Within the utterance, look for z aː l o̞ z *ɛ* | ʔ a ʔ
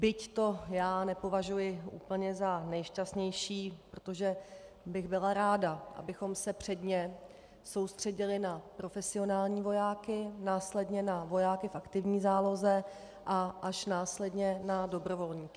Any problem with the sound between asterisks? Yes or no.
no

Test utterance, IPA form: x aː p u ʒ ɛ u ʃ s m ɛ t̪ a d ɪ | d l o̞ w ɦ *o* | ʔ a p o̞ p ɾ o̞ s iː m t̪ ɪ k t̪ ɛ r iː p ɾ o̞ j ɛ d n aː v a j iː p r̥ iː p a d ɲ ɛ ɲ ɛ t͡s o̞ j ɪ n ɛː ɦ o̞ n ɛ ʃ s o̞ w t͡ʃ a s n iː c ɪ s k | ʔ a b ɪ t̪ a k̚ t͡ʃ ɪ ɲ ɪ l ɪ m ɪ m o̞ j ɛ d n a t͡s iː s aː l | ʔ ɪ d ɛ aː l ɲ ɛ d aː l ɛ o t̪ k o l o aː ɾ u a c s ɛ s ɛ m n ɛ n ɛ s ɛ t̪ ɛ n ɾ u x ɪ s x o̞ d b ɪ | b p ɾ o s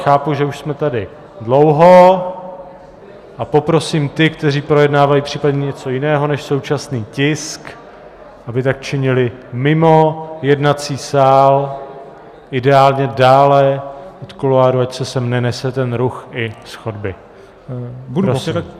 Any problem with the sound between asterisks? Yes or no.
no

